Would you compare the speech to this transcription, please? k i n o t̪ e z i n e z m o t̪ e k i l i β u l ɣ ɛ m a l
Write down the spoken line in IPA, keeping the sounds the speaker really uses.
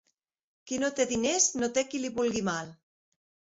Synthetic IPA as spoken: k i n o t̪ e ð i n e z n o t̪ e k i l i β u l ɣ i m a l